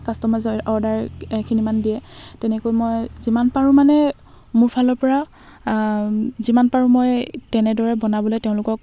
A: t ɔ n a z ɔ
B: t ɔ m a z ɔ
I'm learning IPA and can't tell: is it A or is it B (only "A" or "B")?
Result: B